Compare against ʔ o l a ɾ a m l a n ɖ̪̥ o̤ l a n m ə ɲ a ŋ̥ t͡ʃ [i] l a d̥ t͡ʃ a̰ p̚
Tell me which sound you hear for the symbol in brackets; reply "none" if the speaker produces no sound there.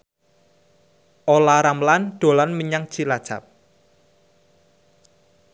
i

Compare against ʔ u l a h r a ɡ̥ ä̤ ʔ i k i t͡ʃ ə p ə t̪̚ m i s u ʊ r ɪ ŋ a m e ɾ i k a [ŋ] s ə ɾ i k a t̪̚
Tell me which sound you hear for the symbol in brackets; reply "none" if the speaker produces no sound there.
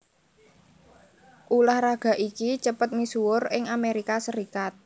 none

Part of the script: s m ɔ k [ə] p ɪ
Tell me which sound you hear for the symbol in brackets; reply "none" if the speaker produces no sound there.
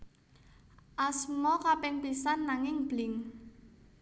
a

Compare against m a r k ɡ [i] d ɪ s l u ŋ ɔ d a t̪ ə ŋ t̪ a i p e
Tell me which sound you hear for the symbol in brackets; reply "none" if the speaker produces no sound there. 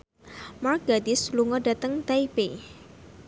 a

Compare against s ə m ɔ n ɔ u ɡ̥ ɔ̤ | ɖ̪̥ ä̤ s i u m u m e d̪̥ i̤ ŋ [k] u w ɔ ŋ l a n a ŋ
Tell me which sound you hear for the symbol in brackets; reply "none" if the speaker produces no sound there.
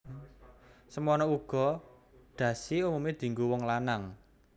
ɡ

